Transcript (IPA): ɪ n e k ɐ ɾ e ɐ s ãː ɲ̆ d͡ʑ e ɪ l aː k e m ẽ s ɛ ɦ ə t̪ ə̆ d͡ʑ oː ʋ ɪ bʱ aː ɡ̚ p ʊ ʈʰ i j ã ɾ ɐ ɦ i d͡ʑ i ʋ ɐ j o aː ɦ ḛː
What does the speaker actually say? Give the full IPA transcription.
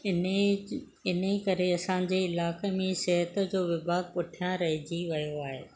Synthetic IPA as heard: ɪ n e k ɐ ɾ e ɐ s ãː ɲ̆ d͡ʑ e ɪ l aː k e m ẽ s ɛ ɦ ə t̪ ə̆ d͡ʑ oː ʋ ɪ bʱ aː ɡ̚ p ʊ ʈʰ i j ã ɾ ɐ ɦ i d͡ʑ i ʋ ɐ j o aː ɦ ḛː